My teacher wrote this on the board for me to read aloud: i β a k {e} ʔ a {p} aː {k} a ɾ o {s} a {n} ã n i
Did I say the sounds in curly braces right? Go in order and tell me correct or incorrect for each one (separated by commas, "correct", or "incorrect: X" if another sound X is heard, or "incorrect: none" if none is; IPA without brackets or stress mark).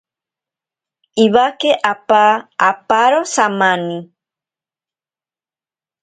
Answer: correct, correct, incorrect: p, correct, incorrect: m